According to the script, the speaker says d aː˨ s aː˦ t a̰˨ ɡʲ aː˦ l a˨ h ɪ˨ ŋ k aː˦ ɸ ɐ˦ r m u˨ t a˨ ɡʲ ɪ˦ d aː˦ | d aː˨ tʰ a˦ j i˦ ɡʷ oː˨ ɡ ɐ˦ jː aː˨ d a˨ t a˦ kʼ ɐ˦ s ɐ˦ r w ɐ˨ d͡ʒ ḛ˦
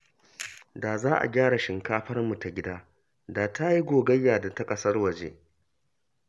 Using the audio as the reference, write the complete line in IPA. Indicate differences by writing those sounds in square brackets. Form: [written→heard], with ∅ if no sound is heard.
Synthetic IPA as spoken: d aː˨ [s→z] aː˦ [t→ʔ] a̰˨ ɡʲ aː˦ [l→ɽ] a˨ [h→ʃ] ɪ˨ ŋ k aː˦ ɸ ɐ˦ r m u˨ t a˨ ɡʲ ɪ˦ d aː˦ | d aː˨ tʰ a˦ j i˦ ɡʷ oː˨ ɡ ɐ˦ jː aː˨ d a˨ t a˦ kʼ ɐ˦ s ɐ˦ r w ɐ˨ d͡ʒ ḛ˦